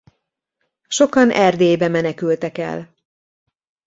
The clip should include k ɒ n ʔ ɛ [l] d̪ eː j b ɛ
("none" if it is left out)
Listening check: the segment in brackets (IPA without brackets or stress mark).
r